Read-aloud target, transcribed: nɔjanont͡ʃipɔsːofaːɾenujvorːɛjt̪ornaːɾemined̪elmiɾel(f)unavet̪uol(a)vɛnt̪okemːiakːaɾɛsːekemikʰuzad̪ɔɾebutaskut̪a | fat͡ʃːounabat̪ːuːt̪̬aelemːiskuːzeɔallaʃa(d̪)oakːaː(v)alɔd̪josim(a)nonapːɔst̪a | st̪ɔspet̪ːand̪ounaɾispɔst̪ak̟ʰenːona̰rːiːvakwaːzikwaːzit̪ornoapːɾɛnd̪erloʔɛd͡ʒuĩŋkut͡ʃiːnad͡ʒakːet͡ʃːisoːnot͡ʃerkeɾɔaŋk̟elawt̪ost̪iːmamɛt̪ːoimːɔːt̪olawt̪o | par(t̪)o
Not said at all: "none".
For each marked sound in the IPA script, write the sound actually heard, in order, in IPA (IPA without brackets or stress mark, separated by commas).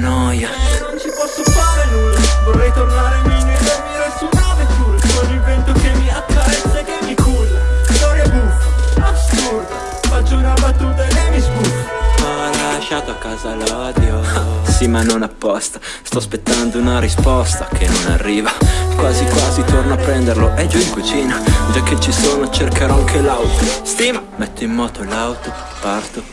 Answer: s, i, t̪, z, a, t̪